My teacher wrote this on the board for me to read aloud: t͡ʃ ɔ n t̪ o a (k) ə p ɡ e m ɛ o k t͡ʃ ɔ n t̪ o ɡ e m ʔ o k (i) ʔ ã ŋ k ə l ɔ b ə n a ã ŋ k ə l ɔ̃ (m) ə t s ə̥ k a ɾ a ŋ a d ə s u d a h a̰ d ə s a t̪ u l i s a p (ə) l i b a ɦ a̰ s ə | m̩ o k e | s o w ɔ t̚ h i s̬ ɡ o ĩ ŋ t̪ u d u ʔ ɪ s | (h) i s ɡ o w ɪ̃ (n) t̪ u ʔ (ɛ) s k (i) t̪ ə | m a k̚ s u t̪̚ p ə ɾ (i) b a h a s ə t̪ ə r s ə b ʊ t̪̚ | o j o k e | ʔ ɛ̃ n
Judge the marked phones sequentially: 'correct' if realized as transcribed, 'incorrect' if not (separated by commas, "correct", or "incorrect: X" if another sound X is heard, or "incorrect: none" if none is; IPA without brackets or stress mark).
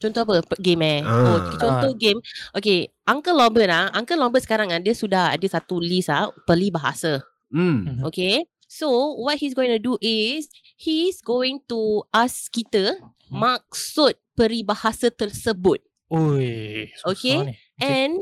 incorrect: p, incorrect: e, incorrect: b, correct, correct, incorrect: ŋ, incorrect: a, correct, correct